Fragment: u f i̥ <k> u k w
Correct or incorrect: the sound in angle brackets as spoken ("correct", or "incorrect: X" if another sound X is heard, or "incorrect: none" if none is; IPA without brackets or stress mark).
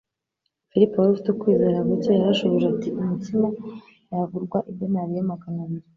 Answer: incorrect: t